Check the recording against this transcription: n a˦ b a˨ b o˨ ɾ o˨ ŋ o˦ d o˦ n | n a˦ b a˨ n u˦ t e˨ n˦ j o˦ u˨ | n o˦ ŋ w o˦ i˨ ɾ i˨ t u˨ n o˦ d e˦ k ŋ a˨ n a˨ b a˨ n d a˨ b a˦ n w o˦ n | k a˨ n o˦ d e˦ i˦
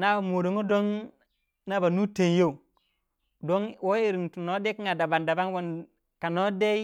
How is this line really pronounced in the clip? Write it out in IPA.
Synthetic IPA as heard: n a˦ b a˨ m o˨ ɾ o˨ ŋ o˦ d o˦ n | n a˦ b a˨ n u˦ t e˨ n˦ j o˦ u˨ | d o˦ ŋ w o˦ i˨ ɾ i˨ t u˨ n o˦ d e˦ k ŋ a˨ d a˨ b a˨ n d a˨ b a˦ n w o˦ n | k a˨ n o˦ d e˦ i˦

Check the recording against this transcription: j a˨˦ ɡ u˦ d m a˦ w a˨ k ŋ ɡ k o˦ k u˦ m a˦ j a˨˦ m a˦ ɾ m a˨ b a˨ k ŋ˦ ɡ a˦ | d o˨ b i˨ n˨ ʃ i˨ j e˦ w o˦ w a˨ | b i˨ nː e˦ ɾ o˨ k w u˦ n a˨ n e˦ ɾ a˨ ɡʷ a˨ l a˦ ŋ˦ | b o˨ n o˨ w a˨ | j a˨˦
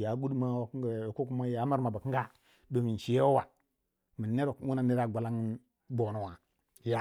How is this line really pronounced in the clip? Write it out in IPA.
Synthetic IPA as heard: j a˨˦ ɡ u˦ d m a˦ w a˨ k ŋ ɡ k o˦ k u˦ m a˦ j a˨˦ m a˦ ɾ m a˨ b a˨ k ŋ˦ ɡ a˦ | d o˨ m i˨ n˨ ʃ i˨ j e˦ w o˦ w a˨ | m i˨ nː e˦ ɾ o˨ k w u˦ n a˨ n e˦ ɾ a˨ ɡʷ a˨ l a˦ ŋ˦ | b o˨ n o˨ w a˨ | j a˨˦

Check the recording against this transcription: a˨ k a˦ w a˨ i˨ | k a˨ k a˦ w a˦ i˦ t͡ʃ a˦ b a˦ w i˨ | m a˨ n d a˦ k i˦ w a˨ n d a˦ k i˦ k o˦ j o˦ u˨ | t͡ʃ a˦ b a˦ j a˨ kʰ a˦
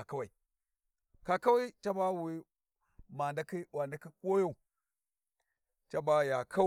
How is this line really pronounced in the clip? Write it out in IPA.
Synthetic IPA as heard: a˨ k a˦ w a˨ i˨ | k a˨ k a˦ w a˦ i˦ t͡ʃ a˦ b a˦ w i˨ | m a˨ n d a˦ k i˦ w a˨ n d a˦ k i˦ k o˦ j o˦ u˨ | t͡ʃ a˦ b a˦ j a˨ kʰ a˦

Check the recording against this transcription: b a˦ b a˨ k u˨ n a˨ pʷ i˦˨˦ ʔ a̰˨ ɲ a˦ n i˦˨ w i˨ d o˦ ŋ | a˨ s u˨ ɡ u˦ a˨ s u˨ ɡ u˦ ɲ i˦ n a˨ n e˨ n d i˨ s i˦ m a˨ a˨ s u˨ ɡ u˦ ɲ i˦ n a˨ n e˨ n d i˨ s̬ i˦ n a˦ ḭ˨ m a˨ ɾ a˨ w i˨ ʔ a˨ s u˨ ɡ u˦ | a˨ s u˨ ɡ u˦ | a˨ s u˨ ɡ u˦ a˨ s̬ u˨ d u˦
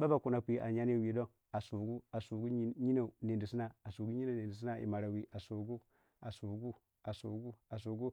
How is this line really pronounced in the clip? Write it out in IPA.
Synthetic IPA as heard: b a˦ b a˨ k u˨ n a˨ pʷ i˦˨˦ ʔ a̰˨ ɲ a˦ n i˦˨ w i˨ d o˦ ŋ | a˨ s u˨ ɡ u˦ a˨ s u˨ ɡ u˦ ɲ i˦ n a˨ n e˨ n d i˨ s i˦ n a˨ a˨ s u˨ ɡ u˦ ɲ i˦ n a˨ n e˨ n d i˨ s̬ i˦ n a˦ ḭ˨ m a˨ ɾ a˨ w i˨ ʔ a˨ s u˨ ɡ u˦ | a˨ s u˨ ɡ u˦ | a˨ s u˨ ɡ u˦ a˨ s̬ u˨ ɡ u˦

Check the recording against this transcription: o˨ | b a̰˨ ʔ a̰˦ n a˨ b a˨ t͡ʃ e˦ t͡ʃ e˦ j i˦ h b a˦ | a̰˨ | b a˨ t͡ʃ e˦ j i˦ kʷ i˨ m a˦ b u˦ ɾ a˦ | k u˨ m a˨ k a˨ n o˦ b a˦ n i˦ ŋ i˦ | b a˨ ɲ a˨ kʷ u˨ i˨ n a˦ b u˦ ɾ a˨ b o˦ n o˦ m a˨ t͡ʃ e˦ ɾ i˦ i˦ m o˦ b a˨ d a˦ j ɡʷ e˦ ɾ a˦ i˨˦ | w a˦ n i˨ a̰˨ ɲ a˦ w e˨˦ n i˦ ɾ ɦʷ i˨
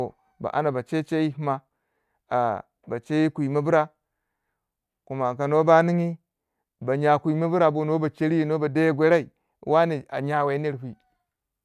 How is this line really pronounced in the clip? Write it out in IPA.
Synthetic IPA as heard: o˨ | b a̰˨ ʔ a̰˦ n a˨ b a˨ t͡ʃ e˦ t͡ʃ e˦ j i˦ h m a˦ | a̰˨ | b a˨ t͡ʃ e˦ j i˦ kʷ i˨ m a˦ b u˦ ɾ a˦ | k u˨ m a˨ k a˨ n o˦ b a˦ n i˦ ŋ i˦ | b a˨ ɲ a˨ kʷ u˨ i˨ m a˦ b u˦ ɾ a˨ b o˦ n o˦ b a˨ t͡ʃ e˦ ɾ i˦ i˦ n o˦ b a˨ d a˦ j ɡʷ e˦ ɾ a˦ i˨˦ | w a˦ n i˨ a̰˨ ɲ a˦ w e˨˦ n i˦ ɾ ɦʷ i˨

